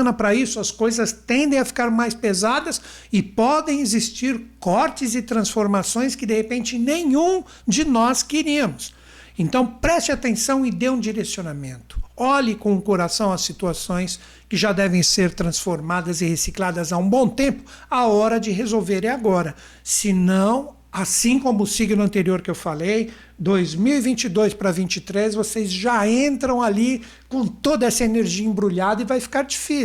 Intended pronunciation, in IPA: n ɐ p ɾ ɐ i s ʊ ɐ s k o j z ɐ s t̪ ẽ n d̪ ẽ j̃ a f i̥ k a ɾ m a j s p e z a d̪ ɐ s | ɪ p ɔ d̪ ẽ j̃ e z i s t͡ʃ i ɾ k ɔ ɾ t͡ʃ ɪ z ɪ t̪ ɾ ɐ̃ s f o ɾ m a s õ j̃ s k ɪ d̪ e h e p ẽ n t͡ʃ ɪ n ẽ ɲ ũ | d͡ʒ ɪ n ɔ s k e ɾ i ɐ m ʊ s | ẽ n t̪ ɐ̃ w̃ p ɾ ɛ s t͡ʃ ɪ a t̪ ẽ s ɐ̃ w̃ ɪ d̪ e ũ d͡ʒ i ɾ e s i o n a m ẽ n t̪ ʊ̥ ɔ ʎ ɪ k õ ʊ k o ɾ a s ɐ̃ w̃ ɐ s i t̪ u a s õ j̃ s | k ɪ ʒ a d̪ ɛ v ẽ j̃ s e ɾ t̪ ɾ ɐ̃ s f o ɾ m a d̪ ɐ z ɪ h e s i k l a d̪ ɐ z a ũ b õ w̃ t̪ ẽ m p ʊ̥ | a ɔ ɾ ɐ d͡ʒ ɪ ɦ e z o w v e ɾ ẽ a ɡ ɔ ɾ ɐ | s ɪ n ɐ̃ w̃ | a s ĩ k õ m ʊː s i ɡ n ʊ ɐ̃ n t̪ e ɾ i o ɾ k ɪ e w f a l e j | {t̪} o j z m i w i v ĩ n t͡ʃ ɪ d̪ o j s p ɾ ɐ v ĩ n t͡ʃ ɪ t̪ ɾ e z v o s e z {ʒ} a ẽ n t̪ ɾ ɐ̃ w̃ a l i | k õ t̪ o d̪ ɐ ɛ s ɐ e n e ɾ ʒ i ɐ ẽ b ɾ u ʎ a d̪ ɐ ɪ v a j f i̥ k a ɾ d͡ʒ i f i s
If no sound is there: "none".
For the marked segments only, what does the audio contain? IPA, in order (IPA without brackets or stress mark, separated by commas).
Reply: d̪, ʒ